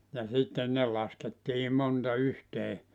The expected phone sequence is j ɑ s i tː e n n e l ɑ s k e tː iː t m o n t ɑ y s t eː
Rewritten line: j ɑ s i tː e n n e l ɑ s k e tː iː m o n t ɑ y h t eː